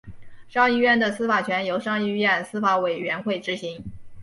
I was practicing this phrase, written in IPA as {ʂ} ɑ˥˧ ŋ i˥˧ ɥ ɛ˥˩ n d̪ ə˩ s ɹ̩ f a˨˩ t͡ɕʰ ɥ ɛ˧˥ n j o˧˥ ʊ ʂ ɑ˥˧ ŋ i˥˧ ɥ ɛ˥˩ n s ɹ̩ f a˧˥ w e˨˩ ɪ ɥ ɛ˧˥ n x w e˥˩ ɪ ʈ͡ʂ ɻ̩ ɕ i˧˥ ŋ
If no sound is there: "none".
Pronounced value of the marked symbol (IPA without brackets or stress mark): ʂ